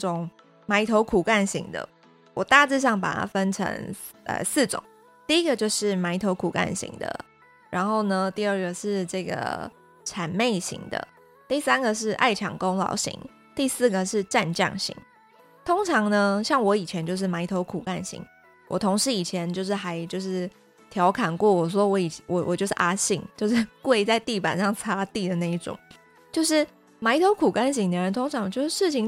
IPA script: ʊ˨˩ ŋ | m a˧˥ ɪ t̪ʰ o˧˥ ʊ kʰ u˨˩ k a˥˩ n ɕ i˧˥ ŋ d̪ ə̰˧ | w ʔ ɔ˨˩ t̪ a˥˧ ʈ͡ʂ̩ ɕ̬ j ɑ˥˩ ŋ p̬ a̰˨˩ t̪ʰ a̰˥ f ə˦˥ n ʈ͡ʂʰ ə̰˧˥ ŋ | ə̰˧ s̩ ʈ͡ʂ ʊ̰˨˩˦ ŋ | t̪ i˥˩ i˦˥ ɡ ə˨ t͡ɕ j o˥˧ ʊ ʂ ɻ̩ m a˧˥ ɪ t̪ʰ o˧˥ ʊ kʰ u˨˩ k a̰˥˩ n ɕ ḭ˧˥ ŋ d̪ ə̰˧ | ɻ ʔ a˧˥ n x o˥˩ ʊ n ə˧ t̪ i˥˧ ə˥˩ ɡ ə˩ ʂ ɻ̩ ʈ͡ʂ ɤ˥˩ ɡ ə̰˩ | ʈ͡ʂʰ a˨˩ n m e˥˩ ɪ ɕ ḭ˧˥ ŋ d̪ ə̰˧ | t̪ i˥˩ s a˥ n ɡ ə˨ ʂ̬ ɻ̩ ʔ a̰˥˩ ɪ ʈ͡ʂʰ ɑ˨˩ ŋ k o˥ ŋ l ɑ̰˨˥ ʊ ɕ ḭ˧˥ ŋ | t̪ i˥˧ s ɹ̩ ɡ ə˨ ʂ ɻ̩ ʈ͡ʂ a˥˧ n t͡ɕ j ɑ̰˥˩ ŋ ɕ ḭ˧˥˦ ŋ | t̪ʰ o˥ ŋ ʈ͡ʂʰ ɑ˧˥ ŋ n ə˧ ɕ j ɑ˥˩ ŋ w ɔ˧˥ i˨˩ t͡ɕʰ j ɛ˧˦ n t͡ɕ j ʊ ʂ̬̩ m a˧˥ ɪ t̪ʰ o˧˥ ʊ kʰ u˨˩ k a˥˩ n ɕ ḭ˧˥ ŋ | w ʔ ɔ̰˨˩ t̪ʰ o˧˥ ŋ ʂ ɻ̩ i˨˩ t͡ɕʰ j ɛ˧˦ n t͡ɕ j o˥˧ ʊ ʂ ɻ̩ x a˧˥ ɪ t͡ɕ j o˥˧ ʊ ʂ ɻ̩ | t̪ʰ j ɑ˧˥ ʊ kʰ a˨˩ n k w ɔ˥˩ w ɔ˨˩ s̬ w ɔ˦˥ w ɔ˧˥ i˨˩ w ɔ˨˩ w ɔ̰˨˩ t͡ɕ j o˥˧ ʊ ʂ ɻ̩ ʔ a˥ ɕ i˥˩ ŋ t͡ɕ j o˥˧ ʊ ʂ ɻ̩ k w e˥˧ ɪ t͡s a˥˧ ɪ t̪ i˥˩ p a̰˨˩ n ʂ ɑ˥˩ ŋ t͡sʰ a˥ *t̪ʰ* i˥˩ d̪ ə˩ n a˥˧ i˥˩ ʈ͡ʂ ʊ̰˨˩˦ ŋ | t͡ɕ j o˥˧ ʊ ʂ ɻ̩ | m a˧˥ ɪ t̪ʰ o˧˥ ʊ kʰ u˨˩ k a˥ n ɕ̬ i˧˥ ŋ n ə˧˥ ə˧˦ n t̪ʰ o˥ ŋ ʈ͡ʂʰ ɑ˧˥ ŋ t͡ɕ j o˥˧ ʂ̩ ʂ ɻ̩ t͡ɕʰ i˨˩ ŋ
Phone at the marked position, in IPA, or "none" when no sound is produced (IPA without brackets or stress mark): t̪